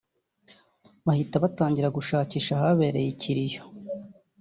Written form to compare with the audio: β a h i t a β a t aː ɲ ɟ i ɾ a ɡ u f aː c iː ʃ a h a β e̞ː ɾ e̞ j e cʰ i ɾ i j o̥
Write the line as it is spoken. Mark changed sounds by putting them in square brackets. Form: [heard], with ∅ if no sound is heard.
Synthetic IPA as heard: β a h i t a β a t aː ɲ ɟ i ɾ a ɡ u [ʃ] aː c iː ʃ a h a β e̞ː ɾ e̞ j [i] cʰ i ɾ i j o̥